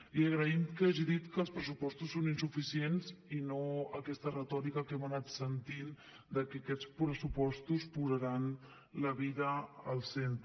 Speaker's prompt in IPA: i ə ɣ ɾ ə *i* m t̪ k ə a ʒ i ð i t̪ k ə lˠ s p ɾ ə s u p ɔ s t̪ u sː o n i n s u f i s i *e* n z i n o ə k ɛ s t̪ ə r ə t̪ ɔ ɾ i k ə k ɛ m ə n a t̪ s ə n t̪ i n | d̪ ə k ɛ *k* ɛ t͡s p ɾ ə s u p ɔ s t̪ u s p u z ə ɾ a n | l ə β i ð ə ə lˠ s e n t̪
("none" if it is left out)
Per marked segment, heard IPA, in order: i, e, k

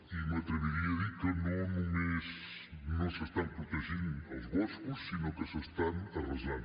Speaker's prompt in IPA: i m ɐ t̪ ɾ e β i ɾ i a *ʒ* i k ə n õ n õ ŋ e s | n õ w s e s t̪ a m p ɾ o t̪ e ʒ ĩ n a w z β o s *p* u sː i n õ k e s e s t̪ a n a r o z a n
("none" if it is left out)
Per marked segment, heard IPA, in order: ð, k

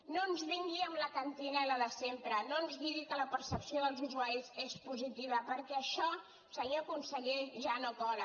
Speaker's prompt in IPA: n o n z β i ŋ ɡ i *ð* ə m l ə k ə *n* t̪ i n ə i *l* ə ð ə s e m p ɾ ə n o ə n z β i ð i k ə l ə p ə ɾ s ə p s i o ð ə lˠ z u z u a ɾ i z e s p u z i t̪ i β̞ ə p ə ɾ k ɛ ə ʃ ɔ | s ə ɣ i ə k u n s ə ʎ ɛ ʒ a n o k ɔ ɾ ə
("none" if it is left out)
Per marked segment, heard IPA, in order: none, n, l

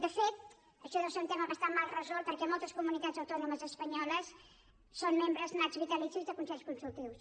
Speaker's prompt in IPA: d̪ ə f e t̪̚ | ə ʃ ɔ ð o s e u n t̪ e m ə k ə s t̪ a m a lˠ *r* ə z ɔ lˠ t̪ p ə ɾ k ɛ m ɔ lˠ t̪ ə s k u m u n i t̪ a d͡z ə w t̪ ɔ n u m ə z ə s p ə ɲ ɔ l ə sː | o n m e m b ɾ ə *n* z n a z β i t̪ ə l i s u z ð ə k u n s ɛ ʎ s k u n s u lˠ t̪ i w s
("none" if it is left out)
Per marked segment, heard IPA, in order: r, none

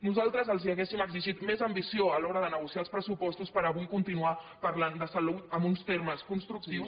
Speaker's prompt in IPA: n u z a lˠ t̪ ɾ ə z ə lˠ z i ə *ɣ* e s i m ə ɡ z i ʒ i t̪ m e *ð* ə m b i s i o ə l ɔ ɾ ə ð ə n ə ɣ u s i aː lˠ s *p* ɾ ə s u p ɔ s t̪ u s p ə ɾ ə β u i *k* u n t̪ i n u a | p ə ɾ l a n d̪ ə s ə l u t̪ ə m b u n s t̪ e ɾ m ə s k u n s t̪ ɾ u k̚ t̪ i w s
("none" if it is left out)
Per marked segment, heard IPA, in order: ɣ, z, p, k

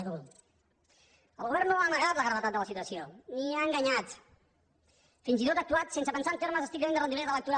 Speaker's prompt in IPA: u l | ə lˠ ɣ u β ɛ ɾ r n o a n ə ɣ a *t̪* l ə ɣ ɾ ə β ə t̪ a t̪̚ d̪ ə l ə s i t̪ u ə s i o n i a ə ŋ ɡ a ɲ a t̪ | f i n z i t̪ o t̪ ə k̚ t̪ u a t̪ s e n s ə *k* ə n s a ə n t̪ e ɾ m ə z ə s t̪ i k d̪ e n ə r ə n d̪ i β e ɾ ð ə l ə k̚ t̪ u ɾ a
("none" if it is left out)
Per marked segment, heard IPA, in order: t̪, p

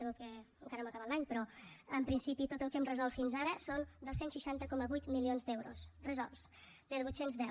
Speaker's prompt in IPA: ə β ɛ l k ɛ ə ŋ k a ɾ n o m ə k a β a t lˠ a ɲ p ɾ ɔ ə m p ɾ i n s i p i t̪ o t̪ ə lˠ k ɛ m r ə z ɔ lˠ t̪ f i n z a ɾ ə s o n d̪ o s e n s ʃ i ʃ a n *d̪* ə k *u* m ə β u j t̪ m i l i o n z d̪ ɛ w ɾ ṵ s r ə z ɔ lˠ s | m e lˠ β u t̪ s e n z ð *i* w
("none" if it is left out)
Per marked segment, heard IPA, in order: t̪, ɔ, ɛ

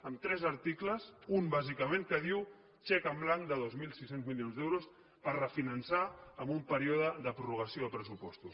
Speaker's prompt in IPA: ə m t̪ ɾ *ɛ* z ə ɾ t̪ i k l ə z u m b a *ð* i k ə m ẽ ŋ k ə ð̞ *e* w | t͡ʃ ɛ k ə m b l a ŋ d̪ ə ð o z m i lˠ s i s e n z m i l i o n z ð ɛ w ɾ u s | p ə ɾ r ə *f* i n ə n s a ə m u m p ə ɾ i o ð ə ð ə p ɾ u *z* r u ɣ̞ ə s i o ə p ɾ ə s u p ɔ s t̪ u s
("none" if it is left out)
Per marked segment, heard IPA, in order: ɛ, z, i, f, none

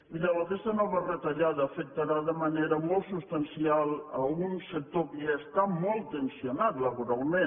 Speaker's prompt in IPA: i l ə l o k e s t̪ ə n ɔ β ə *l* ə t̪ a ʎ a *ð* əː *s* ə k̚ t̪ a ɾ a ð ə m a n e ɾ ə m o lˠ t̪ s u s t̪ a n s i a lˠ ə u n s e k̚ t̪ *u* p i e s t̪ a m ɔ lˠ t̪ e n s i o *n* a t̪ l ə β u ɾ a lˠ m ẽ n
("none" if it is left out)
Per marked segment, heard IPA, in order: r, ð, f, o, n

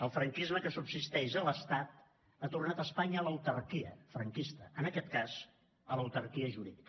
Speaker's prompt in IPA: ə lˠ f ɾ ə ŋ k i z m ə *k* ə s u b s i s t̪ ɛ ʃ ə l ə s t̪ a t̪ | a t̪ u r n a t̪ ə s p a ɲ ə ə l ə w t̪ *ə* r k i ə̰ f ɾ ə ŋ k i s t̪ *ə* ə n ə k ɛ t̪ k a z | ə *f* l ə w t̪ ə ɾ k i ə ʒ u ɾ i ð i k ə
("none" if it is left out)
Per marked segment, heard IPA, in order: k, ə, ə, none

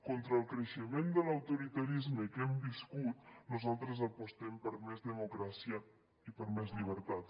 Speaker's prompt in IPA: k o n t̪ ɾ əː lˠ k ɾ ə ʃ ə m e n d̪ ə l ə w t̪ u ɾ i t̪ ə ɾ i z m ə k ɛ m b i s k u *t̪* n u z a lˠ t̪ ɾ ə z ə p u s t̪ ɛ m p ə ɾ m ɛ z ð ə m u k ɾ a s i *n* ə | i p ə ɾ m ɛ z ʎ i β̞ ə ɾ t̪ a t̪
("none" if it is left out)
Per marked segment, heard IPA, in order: t̪, none

